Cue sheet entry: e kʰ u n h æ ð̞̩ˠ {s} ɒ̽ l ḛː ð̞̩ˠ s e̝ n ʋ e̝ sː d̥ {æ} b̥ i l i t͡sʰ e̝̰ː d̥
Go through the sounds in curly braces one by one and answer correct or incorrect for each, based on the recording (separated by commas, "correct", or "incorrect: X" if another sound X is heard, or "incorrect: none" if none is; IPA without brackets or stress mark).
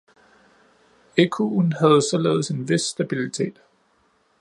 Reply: correct, correct